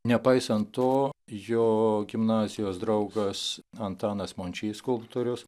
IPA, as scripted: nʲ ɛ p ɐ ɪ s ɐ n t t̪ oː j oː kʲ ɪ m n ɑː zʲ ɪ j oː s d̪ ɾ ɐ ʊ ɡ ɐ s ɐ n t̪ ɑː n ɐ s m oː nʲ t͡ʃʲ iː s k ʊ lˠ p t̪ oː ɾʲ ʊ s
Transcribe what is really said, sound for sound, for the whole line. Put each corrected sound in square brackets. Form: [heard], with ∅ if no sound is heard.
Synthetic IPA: nʲ ɛ p ɐ ɪ s ɐ n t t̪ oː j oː [ɡʲ] ɪ m n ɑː zʲ ɪ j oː s d̪ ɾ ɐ ʊ ɡ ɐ s ɐ n t̪ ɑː n ɐ s m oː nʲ t͡ʃʲ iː s k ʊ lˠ p t̪ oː ɾʲ ʊ s